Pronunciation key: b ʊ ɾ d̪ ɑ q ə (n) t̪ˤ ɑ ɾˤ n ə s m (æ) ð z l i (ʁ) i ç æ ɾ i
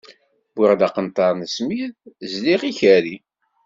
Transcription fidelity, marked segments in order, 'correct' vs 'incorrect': correct, incorrect: i, correct

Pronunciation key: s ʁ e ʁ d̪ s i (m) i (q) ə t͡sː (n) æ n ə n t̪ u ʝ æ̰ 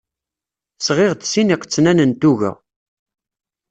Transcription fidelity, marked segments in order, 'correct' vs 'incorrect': incorrect: n, correct, correct

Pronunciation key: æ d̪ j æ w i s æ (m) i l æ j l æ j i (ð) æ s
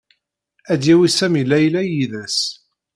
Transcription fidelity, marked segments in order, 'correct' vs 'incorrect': correct, correct

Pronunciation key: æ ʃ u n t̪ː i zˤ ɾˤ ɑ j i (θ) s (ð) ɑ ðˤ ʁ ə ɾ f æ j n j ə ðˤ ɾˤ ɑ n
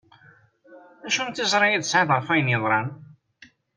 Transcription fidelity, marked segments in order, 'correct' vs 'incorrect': incorrect: ð, incorrect: ʕ

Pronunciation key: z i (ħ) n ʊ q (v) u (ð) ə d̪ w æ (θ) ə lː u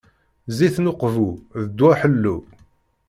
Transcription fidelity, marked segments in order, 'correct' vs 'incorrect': incorrect: θ, correct, correct, incorrect: ħ

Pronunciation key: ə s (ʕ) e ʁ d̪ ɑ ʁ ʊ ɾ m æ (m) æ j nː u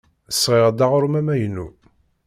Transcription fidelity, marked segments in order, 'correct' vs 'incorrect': incorrect: ʁ, correct

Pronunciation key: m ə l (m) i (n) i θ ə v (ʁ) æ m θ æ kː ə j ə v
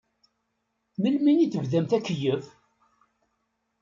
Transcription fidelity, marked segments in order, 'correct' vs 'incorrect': correct, correct, incorrect: ð

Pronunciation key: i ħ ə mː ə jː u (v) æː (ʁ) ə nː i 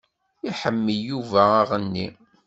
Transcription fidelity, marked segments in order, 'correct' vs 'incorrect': correct, correct

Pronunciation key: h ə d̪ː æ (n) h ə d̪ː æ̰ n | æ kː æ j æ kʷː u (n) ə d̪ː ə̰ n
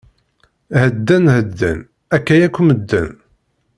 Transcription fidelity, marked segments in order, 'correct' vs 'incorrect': correct, incorrect: m

